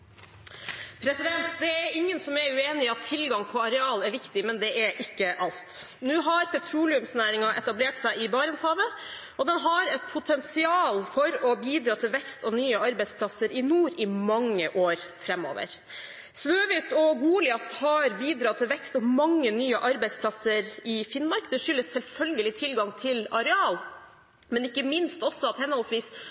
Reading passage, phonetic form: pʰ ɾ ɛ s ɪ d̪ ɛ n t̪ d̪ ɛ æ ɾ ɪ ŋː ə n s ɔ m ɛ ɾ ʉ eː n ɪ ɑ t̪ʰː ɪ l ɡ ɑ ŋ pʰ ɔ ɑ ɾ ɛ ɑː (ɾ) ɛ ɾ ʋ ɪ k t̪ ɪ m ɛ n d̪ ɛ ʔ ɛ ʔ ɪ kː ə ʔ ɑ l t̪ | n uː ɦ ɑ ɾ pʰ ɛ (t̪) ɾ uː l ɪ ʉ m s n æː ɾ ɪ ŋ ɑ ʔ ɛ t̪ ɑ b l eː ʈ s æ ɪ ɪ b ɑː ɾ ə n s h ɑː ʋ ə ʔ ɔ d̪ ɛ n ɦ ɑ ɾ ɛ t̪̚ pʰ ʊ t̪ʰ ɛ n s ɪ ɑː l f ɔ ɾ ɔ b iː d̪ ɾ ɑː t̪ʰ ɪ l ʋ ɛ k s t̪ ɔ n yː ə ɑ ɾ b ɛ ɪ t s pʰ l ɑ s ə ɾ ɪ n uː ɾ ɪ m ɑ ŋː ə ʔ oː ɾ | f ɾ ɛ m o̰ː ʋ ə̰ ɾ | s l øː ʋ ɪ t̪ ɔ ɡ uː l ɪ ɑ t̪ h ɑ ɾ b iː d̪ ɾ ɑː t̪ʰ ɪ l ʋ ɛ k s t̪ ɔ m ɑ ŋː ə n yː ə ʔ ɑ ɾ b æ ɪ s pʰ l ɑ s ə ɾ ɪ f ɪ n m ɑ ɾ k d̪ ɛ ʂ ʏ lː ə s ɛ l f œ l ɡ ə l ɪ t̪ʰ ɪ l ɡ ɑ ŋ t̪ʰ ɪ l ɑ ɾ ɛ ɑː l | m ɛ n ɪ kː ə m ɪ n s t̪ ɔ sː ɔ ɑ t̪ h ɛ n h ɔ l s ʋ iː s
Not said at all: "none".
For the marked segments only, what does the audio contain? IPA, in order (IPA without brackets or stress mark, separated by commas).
l, t̪ʰ